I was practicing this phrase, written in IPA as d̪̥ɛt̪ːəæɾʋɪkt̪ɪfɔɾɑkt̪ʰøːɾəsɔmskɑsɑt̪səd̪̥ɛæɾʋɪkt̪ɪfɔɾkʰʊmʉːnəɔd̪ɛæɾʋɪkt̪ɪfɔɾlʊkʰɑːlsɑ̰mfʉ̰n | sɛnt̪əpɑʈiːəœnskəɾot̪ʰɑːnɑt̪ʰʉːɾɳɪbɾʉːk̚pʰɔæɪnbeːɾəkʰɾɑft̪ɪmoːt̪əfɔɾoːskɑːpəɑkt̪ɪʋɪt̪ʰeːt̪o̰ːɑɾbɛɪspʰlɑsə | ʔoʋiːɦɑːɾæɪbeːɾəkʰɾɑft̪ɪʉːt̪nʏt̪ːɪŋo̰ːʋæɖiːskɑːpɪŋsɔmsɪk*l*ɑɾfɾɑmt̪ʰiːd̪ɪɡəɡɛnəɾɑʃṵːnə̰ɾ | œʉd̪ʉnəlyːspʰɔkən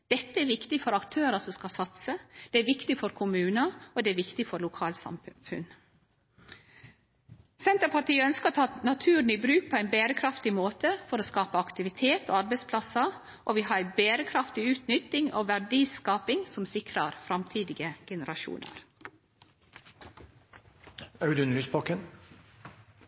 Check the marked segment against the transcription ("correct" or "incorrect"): incorrect